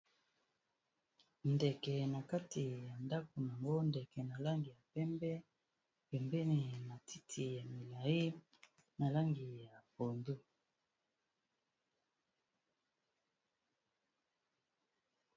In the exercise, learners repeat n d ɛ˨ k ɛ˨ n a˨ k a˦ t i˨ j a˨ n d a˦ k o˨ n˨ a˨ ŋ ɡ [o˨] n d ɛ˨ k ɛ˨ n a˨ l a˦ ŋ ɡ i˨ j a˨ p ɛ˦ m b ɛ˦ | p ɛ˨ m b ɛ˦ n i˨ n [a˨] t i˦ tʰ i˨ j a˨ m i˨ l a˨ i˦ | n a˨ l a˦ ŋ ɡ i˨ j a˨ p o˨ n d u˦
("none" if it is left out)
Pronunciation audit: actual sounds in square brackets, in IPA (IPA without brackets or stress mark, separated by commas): o˦, a˨